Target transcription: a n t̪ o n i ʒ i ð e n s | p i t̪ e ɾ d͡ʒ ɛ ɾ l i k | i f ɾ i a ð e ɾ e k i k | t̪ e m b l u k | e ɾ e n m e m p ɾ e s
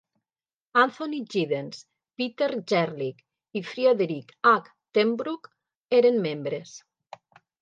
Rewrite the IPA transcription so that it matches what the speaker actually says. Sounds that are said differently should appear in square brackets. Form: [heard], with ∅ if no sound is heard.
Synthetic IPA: a n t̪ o n i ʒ i ð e n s | p i t̪ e ɾ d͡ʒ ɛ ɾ l i k | i f ɾ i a ð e ɾ [i] k [a] k | t̪ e m b [ɾ] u k | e ɾ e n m e m [b] ɾ e s